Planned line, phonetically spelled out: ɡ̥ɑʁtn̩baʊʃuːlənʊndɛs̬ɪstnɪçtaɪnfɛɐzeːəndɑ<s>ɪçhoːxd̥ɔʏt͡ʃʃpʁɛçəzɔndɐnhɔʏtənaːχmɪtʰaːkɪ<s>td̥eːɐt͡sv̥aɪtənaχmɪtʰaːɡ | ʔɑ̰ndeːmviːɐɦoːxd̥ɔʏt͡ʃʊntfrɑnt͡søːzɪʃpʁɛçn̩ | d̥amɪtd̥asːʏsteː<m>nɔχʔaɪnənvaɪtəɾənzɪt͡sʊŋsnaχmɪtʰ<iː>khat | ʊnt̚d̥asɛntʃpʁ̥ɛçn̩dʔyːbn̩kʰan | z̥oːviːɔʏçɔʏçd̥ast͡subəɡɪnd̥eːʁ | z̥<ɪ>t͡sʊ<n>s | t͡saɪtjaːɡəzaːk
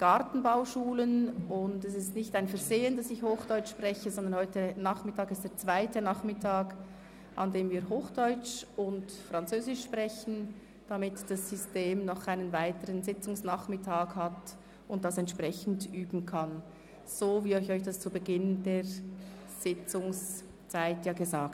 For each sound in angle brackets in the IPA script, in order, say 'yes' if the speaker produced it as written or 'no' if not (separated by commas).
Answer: yes, yes, yes, no, yes, no